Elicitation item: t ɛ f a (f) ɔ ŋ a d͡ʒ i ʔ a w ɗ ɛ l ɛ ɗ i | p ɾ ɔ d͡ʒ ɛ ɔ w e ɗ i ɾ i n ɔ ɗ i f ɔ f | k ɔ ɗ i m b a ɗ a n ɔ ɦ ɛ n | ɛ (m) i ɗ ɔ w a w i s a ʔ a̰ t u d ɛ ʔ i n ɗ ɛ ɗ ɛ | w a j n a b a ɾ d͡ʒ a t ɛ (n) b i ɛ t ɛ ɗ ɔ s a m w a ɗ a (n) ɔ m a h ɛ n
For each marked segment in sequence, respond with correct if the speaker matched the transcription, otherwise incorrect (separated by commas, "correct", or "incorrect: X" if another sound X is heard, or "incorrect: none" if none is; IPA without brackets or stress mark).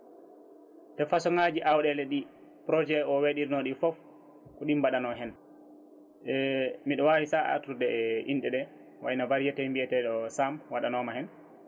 incorrect: s, correct, incorrect: m, correct